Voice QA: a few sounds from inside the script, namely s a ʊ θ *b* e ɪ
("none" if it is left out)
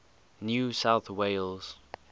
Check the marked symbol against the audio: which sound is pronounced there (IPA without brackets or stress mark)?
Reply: w